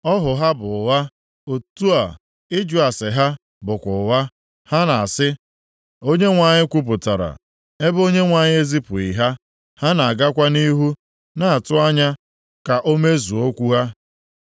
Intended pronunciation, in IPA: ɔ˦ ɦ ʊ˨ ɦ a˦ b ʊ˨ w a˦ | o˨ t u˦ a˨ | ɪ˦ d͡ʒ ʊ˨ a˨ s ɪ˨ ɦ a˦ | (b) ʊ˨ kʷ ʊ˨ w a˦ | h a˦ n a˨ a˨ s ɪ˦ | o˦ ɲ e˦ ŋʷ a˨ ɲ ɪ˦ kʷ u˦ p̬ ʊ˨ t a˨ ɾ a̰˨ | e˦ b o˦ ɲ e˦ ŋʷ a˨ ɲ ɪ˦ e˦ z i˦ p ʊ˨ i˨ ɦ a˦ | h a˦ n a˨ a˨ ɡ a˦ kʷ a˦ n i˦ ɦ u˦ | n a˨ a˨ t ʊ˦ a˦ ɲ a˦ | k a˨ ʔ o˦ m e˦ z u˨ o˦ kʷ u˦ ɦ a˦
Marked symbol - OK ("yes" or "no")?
yes